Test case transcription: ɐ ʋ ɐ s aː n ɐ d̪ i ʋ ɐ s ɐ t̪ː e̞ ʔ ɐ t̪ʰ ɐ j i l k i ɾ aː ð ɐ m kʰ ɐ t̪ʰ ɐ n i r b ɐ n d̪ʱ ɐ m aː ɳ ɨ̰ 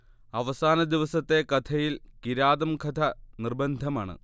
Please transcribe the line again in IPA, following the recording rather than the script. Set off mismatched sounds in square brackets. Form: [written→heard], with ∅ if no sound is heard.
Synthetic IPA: ɐ ʋ ɐ s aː n ɐ d̪ i ʋ ɐ s ɐ t̪ː e̞ [ʔ→k] ɐ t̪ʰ ɐ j i l k i ɾ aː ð ɐ m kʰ ɐ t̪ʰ ɐ n i r b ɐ n d̪ʱ ɐ m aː ɳ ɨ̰

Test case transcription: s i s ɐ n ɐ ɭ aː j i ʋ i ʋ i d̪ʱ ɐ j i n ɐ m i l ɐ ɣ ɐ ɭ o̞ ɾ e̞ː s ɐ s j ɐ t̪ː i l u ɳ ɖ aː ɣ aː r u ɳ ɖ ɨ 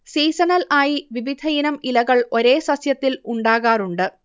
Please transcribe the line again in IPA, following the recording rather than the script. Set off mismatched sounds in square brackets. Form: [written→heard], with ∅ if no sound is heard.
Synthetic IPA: s [i→iː] s ɐ n ɐ [ɭ→l] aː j i ʋ i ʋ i d̪ʱ ɐ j i n ɐ m i l ɐ ɣ ɐ ɭ o̞ ɾ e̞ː s ɐ s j ɐ t̪ː i l u ɳ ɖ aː ɣ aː r u ɳ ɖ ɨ

